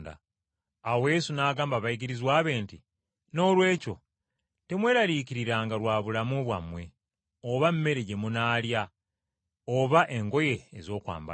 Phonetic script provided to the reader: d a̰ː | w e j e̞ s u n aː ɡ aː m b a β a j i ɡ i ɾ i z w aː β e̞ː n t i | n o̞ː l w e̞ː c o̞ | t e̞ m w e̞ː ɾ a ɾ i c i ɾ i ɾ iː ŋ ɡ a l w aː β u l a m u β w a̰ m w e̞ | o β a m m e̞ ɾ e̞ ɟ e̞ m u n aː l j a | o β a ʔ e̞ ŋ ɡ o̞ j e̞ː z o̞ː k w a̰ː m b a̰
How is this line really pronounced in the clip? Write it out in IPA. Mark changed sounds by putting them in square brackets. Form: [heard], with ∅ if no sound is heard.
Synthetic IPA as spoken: d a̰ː | w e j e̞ s u n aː ɡ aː m b a β a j i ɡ i ɾ i z w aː β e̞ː n t i | n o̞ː l w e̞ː c o̞ | t e̞ m w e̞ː ɾ a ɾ i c i ɾ i ɾ [aː] ŋ ɡ a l w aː β u l a m u β w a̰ m w e̞ | o β a m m e̞ ɾ e̞ ɟ e̞ m u n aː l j a | o β a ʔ e̞ ŋ ɡ o̞ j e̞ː z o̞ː k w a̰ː m b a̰